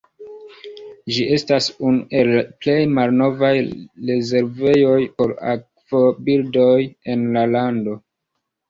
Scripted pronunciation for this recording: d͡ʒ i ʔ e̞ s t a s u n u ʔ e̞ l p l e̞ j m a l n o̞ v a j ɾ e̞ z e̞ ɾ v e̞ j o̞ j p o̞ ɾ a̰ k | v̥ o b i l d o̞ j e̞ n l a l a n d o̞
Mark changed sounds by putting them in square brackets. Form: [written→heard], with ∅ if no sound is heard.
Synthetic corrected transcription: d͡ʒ i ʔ e̞ s t a s u n u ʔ e̞ l p l e̞ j m a l n o̞ v a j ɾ e̞ z e̞ ɾ v e̞ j o̞ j p o̞ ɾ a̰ k | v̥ o b i l d o̞ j e̞ n l a l a n d o̞

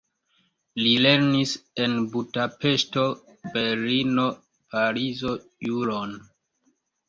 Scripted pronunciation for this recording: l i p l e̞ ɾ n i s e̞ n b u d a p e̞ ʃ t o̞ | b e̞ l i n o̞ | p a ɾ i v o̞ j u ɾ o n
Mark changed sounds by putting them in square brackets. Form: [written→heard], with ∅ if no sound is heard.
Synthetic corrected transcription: l i [p→∅] l e̞ ɾ n i s e̞ n b u d a p e̞ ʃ t o̞ | b e̞ l i n o̞ | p a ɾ i [v→z] o̞ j u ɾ o n

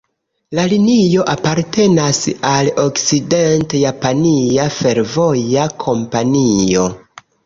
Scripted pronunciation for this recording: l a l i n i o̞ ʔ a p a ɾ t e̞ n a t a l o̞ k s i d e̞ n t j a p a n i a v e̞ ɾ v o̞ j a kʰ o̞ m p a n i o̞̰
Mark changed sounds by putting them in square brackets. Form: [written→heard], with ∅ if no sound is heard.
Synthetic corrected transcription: l a l i n i o̞ ʔ a p a ɾ t e̞ n a [t→s] a l o̞ k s i d e̞ n t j a p a n i a [v→f] e̞ ɾ v o̞ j a kʰ o̞ m p a n i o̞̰

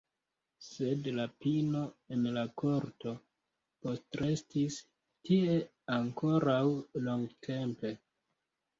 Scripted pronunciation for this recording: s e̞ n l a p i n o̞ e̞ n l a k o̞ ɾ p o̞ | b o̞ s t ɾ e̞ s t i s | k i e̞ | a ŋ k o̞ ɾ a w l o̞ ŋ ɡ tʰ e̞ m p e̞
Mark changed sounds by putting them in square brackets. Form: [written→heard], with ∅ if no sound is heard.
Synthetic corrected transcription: s e̞ [n→d] l a p i n o̞ e̞ n l a k o̞ ɾ [p→t] o̞ | [b→p] o̞ s t ɾ e̞ s t i s | [k→t] i e̞ | a ŋ k o̞ ɾ a w l o̞ ŋ ɡ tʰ e̞ m p e̞

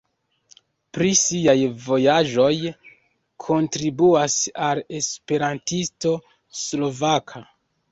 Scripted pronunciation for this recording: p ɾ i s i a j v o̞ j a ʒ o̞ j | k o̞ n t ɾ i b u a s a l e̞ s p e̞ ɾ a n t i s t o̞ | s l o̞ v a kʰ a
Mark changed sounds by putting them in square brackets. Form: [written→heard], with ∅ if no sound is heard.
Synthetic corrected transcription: p ɾ i s i a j v o̞ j a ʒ o̞ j | [k→kʰ] o̞ n t ɾ i b u a s a l e̞ s p e̞ ɾ a n t i s t o̞ | s l o̞ v a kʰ a

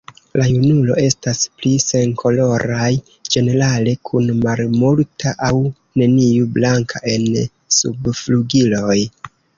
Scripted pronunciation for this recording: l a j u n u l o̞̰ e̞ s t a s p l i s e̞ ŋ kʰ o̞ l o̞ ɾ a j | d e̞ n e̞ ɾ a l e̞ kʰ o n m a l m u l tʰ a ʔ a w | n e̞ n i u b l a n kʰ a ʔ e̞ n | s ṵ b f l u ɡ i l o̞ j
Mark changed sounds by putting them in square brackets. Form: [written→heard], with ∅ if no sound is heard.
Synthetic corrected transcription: l a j u n u l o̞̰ e̞ s t a s p l i s e̞ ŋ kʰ o̞ l o̞ ɾ a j | [d→d͡ʒ] e̞ n e̞ ɾ a l e̞ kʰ [o→u] n m a l m u l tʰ a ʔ a w | n e̞ n i u b l a [n→ŋ] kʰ a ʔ e̞ n | s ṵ b f l u ɡ i l o̞ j

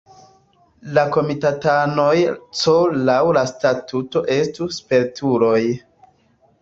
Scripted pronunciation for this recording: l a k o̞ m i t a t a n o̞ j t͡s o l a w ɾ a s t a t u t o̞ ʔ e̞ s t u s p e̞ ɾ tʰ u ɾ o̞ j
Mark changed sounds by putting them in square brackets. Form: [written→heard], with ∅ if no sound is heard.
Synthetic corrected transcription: l a k o̞ m i t a t a n o̞ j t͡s o l a w [ɾ→l] a s t a t u t o̞ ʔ e̞ s t u s p e̞ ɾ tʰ u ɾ o̞ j

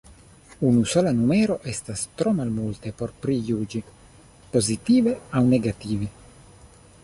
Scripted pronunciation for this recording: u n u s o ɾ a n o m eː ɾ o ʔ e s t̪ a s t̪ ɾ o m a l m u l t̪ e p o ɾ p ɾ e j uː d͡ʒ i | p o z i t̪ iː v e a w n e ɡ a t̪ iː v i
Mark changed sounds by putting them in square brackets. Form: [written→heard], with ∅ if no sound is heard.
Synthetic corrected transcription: u n u s o [ɾ→l] a n [o→u] m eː ɾ o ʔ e s t̪ a s t̪ ɾ o m a l m u l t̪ e p o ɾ p ɾ [e→i] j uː d͡ʒ i | p o z i t̪ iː v e a w n e ɡ a t̪ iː v i

